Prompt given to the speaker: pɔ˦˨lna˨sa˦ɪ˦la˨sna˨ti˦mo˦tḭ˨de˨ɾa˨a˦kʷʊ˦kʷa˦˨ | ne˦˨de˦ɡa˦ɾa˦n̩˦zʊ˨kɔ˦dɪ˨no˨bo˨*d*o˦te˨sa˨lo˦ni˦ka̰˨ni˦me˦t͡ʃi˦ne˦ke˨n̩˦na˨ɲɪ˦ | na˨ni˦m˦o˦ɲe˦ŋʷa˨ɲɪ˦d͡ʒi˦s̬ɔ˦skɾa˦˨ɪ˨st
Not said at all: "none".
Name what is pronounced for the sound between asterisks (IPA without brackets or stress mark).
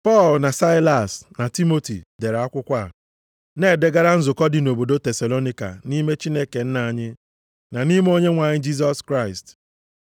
d